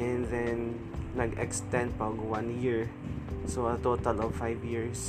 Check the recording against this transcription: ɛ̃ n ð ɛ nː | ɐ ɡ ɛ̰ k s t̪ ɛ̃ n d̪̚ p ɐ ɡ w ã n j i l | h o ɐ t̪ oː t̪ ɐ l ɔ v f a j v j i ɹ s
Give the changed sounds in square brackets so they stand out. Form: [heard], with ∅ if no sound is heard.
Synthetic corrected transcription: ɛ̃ n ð ɛ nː | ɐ ɡ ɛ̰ k s t̪ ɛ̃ n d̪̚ p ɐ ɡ w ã n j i [ɹ] | [s] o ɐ t̪ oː t̪ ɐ l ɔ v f a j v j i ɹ s